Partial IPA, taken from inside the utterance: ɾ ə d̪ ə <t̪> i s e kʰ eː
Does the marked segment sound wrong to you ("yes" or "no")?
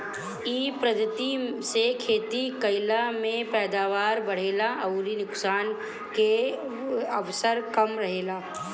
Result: no